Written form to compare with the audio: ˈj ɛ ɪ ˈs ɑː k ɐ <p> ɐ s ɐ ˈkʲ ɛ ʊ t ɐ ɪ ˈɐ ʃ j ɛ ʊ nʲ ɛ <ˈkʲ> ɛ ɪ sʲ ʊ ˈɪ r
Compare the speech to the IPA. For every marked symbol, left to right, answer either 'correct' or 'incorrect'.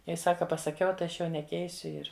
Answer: correct, correct

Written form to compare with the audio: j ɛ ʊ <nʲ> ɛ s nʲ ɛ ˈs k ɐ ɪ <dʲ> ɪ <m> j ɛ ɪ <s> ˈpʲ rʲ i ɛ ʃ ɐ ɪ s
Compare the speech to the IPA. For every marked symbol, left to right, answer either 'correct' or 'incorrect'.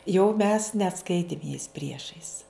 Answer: incorrect: mʲ, incorrect: tʲ, correct, correct

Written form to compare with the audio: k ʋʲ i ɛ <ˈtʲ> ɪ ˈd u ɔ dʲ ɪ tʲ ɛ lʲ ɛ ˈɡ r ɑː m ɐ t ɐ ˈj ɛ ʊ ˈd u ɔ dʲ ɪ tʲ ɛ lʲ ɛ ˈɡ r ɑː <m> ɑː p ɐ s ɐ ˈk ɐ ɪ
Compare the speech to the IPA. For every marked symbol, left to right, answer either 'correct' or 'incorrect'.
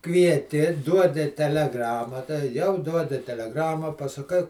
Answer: correct, correct

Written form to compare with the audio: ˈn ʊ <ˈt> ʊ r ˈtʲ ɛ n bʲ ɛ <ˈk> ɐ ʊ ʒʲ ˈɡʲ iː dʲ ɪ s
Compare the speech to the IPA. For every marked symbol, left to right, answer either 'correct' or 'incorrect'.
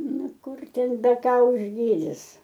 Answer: incorrect: k, correct

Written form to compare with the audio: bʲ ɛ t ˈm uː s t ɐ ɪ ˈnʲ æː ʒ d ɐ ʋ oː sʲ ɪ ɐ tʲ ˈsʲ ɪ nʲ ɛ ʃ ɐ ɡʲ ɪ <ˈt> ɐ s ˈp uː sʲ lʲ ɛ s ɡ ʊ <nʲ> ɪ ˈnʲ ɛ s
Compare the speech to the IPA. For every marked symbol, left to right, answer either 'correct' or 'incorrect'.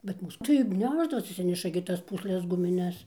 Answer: correct, incorrect: mʲ

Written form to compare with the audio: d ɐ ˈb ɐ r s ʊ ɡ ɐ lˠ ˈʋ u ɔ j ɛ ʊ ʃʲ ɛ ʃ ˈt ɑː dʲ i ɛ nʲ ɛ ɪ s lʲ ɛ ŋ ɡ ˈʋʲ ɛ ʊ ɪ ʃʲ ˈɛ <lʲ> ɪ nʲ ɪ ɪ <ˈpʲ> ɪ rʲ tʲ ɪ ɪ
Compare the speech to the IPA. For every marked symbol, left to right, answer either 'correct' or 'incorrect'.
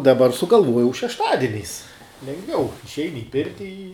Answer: incorrect: none, correct

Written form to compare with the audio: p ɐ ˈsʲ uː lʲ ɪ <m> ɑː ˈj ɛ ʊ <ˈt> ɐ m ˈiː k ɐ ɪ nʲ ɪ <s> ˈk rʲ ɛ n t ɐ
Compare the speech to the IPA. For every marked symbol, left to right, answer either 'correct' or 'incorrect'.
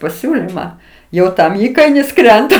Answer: correct, correct, correct

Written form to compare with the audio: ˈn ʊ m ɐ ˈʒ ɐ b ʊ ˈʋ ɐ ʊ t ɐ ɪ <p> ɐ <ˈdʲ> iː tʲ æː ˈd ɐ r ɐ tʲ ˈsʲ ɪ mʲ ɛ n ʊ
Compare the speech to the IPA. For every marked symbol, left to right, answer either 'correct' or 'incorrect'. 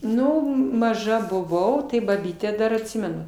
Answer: incorrect: b, incorrect: bʲ

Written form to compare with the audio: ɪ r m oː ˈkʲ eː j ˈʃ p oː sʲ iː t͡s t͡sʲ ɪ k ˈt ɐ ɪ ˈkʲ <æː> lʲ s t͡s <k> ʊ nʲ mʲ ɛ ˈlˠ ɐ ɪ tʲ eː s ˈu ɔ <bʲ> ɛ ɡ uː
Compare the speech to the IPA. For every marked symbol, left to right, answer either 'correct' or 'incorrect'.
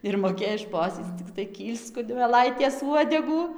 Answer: incorrect: iː, correct, incorrect: dʲ

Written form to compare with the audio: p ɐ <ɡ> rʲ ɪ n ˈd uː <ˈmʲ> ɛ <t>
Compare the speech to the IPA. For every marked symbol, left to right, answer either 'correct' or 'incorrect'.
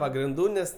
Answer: correct, incorrect: nʲ, incorrect: s

